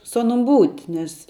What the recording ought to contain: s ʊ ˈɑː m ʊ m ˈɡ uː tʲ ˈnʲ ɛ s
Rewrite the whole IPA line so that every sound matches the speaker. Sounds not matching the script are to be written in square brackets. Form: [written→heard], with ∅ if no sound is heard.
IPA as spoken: s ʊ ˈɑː [m→n] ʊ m [ˈɡ→ˈb] uː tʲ ˈnʲ ɛ s